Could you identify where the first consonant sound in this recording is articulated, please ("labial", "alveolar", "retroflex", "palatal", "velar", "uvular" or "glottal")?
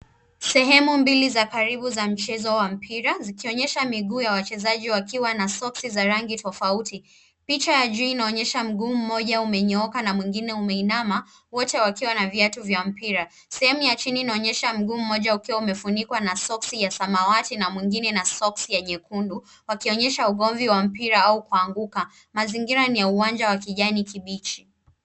alveolar